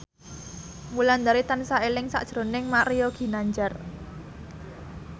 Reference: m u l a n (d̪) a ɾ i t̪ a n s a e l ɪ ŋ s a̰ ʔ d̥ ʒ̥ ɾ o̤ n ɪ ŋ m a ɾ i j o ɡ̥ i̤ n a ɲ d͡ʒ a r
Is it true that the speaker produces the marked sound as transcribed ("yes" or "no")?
yes